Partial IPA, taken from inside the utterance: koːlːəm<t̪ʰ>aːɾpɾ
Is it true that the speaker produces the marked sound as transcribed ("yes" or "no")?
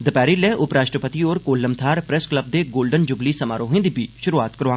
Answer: yes